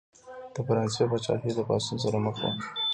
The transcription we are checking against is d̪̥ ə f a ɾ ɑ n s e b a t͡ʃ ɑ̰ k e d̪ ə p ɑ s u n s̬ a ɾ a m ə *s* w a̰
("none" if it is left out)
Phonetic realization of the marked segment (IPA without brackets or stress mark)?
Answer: x